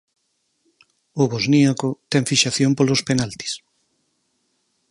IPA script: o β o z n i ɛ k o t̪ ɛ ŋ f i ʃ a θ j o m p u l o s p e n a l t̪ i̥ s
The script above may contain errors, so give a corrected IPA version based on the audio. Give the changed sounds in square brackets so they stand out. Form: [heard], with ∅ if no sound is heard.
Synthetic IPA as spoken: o β o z n i [a] k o t̪ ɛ ŋ f i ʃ a θ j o m p [o] l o s p e n a l t̪ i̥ s